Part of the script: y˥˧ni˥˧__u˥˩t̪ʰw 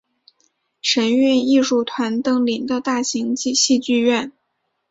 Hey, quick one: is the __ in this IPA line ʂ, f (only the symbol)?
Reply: ʂ